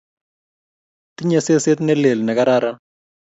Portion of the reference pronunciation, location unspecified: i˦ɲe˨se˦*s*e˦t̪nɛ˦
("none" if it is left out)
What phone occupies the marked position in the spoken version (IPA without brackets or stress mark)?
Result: s